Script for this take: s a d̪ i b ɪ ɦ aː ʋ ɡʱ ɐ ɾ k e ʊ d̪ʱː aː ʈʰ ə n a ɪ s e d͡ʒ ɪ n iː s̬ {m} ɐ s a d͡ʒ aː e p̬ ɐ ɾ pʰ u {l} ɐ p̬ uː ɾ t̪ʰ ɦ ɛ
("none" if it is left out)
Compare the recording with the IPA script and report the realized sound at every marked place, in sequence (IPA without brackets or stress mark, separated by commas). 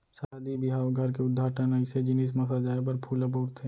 m, l